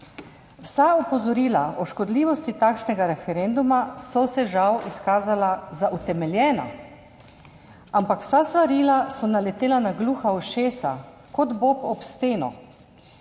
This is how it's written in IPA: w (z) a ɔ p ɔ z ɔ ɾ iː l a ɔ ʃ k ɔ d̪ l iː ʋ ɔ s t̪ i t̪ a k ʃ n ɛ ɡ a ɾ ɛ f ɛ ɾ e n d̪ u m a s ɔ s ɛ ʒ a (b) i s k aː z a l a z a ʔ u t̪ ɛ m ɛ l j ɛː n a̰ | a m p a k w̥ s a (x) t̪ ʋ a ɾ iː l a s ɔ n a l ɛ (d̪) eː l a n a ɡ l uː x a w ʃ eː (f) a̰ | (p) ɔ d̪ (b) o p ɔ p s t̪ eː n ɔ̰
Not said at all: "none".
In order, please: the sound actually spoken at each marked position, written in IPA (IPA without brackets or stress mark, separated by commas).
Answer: s, w, s, t̪, s, k, b